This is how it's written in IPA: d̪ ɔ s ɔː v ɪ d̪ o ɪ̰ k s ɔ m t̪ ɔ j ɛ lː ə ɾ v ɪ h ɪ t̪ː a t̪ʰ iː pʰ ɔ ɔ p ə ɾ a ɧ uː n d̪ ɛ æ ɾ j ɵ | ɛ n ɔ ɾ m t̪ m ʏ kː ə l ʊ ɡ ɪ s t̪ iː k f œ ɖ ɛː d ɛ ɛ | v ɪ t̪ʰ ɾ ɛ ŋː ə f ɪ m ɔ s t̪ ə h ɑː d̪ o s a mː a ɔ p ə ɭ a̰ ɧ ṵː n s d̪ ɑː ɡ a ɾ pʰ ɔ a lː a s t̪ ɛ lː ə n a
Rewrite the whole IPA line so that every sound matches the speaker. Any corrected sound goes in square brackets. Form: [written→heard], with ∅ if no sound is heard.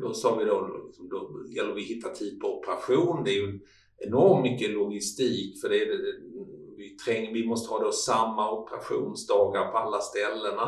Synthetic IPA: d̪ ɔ s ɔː v ɪ d̪ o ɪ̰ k s ɔ m [t̪→d̪] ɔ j ɛ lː ə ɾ v ɪ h ɪ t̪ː a t̪ʰ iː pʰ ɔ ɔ p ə ɾ a ɧ uː n d̪ ɛ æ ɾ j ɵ | ɛ n ɔ ɾ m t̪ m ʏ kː ə l ʊ ɡ ɪ s t̪ iː k f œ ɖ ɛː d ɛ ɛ | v ɪ t̪ʰ ɾ ɛ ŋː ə [f→v] ɪ m ɔ s t̪ ə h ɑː d̪ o s a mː a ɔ p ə [ɭ→ɾ] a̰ ɧ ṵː n s d̪ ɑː ɡ a ɾ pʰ ɔ a lː a s t̪ ɛ lː ə n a